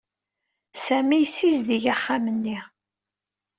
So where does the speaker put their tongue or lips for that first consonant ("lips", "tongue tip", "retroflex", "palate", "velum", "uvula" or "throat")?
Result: tongue tip